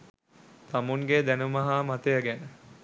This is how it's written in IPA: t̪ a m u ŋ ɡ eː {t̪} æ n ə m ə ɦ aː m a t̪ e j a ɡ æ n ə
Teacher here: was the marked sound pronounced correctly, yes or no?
no